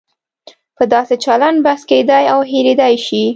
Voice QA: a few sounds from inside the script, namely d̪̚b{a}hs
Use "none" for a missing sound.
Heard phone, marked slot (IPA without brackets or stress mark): a